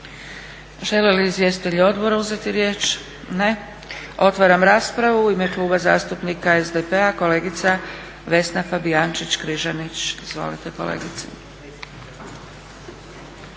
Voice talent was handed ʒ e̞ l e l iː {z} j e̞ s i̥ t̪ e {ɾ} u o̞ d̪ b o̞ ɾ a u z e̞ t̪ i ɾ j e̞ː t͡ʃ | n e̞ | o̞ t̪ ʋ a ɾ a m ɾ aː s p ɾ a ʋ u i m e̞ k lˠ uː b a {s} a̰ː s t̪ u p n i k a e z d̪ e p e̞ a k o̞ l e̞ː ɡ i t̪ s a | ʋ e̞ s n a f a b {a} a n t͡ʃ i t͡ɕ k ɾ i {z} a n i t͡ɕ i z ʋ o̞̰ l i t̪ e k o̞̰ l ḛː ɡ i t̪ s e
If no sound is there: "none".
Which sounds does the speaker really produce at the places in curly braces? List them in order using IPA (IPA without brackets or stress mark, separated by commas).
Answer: z, ʎ, z, i, ʒ